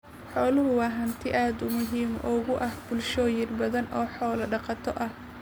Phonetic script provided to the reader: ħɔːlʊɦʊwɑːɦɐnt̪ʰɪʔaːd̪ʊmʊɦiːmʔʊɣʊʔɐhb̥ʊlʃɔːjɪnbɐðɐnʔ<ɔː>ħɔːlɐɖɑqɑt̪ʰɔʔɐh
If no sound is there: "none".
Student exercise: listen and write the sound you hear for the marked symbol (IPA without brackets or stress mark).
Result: ɔː